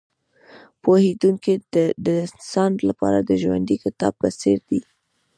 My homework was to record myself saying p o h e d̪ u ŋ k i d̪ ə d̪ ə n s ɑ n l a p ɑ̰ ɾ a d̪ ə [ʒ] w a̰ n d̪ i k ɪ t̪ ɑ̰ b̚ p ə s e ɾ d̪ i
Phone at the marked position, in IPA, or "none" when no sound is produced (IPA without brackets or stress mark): ʒ